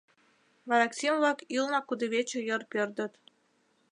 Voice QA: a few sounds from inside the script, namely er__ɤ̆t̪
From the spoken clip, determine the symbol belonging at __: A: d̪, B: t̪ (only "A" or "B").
A